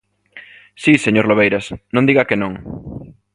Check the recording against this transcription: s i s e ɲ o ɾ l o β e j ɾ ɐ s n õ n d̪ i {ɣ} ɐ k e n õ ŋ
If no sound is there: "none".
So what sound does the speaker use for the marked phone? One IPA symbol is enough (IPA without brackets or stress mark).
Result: ɣ